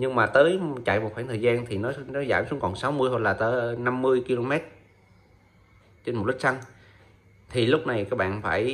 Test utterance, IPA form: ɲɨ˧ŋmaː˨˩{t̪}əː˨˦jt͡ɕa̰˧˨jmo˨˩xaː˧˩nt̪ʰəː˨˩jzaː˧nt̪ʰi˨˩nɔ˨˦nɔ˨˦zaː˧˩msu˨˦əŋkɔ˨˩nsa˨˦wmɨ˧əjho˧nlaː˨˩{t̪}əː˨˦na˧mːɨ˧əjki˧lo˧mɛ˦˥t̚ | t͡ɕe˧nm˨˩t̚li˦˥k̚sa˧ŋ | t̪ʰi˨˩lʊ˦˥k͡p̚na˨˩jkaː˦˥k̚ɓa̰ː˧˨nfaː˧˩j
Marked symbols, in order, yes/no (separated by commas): yes, yes